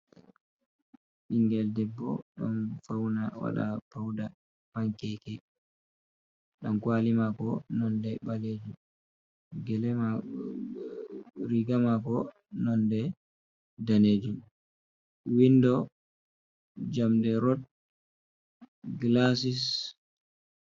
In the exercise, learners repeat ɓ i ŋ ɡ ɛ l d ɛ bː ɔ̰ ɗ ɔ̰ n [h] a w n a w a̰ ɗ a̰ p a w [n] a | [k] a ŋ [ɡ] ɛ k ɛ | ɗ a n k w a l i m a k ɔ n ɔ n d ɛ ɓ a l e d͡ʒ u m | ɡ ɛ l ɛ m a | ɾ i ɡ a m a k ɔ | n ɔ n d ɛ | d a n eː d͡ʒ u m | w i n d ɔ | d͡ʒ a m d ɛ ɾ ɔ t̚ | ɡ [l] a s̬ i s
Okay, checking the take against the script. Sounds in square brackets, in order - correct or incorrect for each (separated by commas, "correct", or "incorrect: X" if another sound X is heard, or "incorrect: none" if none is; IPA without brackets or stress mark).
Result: incorrect: f, incorrect: d, incorrect: p, incorrect: k, correct